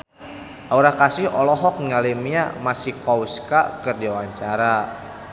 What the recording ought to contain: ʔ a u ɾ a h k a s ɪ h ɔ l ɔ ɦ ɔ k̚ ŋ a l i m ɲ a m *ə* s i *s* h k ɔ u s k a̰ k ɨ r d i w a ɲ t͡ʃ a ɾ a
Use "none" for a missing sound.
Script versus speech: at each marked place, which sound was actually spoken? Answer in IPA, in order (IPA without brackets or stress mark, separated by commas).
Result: a, none